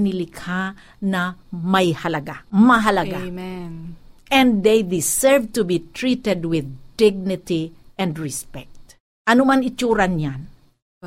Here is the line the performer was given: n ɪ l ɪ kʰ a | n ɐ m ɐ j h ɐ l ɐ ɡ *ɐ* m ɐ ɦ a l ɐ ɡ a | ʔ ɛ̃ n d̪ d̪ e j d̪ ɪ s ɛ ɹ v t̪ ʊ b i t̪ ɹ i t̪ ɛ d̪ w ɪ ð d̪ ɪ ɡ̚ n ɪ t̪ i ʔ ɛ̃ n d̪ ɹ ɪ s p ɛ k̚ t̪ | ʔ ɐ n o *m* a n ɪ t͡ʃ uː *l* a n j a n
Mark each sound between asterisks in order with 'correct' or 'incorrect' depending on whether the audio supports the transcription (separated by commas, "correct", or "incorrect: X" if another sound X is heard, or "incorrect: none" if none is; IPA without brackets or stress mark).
incorrect: a, correct, incorrect: ɾ